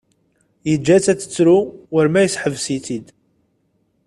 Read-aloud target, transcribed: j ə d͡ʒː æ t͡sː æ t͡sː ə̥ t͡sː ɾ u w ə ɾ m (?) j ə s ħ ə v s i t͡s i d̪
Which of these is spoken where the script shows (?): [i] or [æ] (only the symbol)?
æ